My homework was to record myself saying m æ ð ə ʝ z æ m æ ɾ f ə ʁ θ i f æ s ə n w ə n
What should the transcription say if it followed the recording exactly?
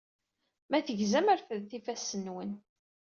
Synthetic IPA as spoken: m æ θ ə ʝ z æ m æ ɾ f ə ð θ i f æ s ə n w ə n